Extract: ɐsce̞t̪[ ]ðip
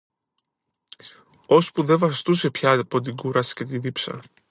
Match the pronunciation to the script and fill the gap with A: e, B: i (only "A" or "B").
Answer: B